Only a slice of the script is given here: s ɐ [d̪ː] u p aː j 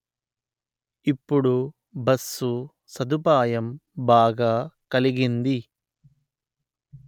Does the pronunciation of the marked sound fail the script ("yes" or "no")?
yes